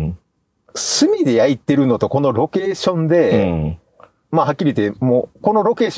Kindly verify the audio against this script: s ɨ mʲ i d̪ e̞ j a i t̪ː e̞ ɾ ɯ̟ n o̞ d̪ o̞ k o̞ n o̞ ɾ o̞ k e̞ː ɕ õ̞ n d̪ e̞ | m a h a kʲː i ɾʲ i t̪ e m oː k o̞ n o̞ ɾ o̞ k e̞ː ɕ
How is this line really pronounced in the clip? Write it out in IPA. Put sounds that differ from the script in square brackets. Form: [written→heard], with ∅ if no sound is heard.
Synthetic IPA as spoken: s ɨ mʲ i d̪ e̞ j a i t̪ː e̞ ɾ ɯ̟ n o̞ [d̪→t̪] o̞ k o̞ n o̞ ɾ o̞ k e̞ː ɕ õ̞ n d̪ e̞ | m a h a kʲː i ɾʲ i t̪ e m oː k o̞ n o̞ ɾ o̞ k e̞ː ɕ